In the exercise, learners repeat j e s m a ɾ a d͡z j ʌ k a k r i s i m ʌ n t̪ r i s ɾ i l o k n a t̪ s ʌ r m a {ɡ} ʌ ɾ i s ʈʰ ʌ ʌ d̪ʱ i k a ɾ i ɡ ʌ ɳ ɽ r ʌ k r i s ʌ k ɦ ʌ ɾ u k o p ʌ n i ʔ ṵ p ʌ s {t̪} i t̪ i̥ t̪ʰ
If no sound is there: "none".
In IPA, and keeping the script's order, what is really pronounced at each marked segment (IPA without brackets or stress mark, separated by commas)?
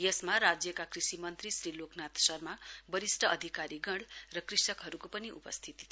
b, t̪ʰ